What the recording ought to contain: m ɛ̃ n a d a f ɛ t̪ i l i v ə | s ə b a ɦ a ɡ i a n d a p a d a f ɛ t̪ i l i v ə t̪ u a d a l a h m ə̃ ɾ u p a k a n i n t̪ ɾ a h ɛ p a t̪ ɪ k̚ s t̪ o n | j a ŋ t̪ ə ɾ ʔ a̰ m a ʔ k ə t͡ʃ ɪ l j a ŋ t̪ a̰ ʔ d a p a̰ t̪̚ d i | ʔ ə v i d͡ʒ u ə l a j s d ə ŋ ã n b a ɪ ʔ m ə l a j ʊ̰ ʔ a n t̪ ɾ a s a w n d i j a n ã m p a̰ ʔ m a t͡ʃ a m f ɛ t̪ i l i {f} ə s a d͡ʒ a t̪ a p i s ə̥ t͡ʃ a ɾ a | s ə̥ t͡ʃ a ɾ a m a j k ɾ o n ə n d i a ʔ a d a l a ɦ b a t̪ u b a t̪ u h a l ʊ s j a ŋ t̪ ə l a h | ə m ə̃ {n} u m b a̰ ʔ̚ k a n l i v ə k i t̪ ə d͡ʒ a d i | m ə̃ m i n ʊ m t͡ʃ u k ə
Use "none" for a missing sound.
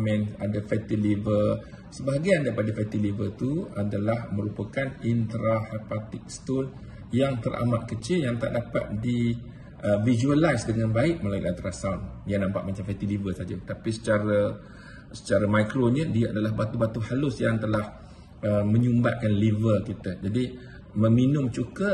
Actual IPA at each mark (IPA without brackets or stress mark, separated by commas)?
v, ɲ